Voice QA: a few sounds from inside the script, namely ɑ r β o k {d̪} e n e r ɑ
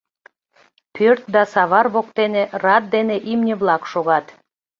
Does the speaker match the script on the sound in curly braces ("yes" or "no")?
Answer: no